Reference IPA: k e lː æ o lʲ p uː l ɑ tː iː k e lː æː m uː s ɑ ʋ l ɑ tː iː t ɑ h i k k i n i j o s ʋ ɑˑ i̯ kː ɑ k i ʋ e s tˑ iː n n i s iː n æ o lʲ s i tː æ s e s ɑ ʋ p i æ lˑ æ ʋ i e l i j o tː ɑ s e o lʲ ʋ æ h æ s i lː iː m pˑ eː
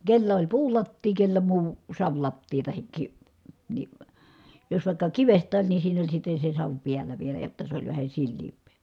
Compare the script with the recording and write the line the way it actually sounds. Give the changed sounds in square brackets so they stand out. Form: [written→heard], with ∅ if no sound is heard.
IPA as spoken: k e lː æ o lʲ p uː l ɑ tː iː k e lː [æː→æ] m uː s ɑ ʋ l ɑ tː iː t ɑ h i k k i n i j o s ʋ ɑˑ i̯ kː ɑ k i ʋ e s tˑ [iː→æː] n n i s iː n æ o lʲ s i tː [æ→e] s e s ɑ ʋ p i æ lˑ æ ʋ i e l [i→æ] j o tː ɑ s e o lʲ ʋ æ h æ s i lː iː m pˑ eː